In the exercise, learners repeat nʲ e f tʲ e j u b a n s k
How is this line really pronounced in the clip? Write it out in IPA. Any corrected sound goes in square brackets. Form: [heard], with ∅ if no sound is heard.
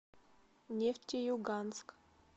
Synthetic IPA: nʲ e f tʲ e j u [ɡ] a n s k

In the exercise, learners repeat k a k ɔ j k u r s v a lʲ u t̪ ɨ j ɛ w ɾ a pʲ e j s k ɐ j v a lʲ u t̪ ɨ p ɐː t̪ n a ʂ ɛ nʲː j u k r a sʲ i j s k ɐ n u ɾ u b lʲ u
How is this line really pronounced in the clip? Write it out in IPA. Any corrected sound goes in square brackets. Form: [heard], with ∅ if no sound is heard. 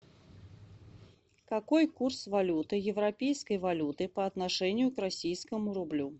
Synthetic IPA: k a k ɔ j k u r s v a lʲ u t̪ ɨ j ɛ w ɾ a pʲ e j s k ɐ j v a lʲ u t̪ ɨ p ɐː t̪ n a ʂ ɛ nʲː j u k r a sʲ i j s k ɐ [m] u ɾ u b lʲ u

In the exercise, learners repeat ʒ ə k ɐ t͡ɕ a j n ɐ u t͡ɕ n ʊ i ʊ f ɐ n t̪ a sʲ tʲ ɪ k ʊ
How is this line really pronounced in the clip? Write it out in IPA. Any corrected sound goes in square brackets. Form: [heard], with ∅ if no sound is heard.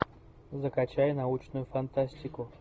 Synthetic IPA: [z] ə k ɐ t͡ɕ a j n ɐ u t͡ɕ n ʊ [j] ʊ f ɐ n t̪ a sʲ tʲ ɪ k ʊ

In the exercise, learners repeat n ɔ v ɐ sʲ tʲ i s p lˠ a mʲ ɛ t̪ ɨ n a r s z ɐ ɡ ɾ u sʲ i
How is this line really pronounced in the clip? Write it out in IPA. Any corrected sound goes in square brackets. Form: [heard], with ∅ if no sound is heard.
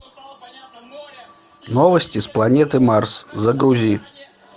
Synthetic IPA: n ɔ v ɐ sʲ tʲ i s p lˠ a [nʲ] ɛ t̪ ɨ [m] a r s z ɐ ɡ ɾ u [zʲ] i

